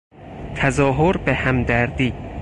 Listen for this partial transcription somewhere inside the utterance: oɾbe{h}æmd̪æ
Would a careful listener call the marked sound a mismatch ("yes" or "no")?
no